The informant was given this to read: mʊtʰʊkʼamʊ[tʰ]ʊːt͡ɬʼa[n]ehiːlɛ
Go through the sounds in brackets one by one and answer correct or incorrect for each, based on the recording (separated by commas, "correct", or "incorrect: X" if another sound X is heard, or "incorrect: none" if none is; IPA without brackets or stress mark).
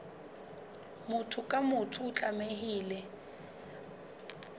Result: correct, incorrect: m